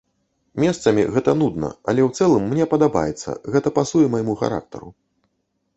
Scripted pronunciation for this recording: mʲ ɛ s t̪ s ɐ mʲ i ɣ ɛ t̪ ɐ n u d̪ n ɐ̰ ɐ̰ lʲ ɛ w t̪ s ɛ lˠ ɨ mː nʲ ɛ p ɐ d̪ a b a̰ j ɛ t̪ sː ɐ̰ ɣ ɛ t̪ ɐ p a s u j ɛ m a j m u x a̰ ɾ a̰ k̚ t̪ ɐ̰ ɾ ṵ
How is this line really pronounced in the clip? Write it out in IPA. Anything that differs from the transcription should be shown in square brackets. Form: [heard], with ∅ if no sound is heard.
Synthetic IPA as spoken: mʲ ɛ s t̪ s ɐ mʲ i ɣ ɛ t̪ ɐ n u d̪ n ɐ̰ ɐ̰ lʲ ɛ w t̪ s ɛ lˠ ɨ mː nʲ ɛ p ɐ d̪ a b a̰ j ɛ t̪ sː ɐ̰ ɣ ɛ t̪ ɐ p a s u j ɛ m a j m u x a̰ ɾ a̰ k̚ t̪ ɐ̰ ɾ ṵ